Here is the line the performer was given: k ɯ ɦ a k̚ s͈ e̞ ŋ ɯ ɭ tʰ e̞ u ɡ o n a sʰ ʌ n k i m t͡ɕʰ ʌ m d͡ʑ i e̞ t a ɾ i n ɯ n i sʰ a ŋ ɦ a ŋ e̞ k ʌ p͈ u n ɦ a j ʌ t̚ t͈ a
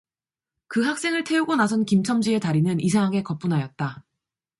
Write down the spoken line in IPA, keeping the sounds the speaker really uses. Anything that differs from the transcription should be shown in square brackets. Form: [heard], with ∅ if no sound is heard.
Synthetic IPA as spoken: k ɯ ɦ a k̚ s͈ e̞ ŋ ɯ ɭ tʰ e̞ u ɡ o n a sʰ ʌ n k i m t͡ɕʰ ʌ m d͡ʑ i e̞ t a ɾ i n ɯ n i sʰ a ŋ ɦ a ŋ e̞ k ʌ p͈ u n ɦ a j ʌ t̚ t͈ a